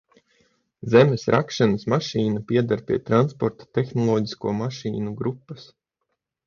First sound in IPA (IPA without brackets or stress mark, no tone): z